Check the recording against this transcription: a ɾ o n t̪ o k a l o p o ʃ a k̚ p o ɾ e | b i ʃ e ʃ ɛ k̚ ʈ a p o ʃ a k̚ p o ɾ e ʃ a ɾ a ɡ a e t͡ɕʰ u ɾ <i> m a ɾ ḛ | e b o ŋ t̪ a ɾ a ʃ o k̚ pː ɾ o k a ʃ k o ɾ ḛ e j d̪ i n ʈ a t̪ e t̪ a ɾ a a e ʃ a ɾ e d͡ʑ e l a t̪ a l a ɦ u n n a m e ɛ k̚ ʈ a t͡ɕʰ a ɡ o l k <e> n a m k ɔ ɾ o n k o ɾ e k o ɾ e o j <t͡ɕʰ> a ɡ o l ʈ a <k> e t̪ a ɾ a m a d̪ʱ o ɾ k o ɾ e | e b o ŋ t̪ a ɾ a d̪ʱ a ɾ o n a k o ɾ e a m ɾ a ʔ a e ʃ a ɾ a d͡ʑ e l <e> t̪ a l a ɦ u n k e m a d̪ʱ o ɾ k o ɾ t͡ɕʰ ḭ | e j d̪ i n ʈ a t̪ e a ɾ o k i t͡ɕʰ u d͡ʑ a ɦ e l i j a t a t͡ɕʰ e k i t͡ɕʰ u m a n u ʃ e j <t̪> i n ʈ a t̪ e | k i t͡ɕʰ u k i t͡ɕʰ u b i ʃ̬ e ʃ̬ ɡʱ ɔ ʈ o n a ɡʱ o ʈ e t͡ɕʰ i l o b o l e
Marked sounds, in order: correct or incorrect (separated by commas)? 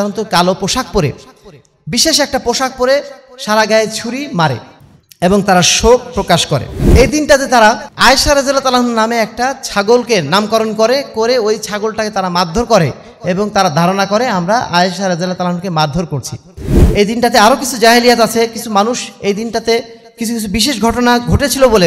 correct, correct, correct, correct, incorrect, incorrect